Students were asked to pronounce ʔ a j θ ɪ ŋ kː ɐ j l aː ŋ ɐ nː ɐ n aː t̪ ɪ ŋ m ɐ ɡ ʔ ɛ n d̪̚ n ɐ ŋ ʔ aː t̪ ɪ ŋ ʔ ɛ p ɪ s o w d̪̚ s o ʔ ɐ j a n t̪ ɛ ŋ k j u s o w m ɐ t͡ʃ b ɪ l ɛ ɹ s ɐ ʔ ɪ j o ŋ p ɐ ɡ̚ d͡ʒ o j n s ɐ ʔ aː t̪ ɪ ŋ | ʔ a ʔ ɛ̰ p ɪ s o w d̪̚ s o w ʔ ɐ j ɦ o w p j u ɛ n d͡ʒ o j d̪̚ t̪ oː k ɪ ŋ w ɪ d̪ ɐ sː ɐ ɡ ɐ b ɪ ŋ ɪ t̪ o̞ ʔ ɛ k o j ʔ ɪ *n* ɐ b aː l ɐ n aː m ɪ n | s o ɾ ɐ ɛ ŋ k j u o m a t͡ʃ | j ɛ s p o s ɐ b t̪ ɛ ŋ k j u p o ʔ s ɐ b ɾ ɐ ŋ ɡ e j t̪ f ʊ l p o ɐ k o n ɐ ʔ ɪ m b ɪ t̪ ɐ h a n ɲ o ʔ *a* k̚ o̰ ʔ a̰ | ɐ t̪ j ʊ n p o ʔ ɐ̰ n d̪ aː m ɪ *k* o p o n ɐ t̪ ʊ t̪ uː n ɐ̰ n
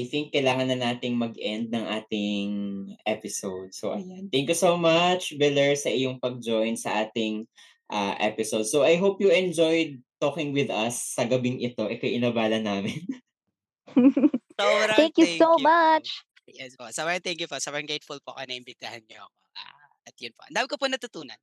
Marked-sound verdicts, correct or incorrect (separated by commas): correct, incorrect, correct